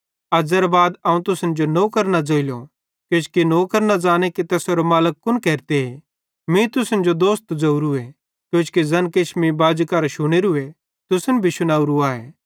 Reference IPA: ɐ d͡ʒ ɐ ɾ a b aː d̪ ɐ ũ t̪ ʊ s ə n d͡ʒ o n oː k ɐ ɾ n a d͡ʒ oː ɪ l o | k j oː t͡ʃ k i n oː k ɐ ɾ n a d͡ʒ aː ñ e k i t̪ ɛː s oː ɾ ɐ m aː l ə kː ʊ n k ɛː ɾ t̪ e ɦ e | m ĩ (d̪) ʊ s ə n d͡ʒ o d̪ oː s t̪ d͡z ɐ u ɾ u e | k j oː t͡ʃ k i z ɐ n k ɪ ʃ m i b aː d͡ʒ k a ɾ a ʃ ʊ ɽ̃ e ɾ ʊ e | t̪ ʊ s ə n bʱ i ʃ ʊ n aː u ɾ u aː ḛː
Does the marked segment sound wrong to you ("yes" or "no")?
yes